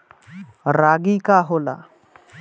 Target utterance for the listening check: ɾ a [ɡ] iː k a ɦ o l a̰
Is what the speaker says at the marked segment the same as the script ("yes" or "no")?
yes